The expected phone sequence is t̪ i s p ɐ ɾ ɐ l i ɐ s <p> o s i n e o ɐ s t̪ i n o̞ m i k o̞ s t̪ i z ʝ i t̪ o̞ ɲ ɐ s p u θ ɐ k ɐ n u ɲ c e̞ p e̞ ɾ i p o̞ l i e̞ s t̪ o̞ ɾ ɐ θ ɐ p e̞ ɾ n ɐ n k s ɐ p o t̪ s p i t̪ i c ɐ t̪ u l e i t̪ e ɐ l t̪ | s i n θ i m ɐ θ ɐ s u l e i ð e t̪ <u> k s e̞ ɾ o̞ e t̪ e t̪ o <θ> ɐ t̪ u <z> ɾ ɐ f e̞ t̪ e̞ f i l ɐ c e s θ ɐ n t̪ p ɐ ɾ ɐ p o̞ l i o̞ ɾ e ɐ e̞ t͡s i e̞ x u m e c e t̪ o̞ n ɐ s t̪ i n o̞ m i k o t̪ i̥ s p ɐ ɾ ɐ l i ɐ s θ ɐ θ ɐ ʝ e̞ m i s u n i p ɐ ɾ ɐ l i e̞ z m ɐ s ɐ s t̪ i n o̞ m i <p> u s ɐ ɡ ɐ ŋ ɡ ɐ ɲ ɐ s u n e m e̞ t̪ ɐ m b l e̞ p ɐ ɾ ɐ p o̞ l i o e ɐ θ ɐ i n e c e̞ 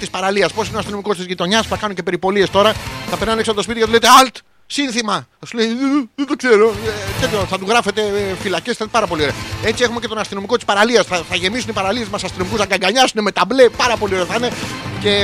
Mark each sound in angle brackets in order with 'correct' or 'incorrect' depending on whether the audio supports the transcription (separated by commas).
correct, incorrect, correct, incorrect, incorrect